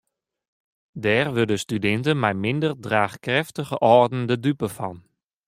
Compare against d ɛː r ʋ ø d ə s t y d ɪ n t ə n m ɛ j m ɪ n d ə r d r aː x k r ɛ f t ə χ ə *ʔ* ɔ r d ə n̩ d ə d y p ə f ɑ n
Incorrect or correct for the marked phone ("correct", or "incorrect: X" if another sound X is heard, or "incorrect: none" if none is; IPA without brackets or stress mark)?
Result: correct